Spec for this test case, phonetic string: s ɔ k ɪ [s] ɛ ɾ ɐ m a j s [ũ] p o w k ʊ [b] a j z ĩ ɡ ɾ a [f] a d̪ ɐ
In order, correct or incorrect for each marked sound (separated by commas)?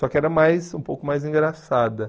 incorrect, correct, incorrect, incorrect